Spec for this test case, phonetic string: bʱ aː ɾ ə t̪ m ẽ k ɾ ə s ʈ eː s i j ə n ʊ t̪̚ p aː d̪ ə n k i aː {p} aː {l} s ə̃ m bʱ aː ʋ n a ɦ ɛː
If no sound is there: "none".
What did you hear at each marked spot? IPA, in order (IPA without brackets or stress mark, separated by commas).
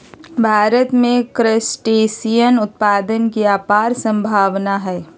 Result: p, ɾ